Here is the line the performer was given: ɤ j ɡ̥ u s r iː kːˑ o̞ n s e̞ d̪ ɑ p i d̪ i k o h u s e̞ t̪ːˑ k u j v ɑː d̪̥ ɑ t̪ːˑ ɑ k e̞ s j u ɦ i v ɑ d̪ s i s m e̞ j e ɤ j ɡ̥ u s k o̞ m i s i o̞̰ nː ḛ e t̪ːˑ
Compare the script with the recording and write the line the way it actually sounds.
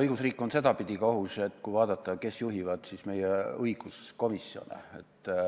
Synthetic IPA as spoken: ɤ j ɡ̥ u s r iː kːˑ o̞ n s e̞ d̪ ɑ p i d̪ i k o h u s e̞ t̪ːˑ k u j v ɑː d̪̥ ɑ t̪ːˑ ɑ k e̞ s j u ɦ i v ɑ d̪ s i s m e̞ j e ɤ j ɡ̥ u s k o̞ m i s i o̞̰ n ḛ e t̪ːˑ